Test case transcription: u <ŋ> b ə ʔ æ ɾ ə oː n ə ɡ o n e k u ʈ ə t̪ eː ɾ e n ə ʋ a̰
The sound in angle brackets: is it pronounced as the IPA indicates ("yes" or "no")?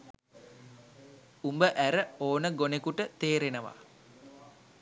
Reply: no